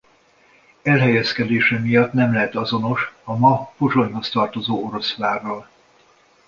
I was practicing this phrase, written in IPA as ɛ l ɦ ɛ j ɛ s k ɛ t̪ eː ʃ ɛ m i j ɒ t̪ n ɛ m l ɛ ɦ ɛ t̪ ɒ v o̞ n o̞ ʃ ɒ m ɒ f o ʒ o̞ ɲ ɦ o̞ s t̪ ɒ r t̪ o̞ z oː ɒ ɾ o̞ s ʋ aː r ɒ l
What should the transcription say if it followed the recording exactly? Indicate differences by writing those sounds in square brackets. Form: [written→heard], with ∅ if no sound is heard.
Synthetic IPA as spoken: ɛ l ɦ ɛ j ɛ s k ɛ [t̪→d̪] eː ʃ ɛ m i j ɒ t̪ n ɛ m l ɛ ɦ ɛ t̪ ɒ [v→z] o̞ n o̞ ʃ ɒ m ɒ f o ʒ o̞ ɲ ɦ o̞ s t̪ ɒ r t̪ o̞ z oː [ɒ→o] ɾ o̞ s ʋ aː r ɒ l